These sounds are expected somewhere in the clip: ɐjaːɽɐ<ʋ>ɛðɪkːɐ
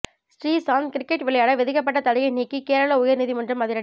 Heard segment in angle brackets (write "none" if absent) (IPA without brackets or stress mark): ʋ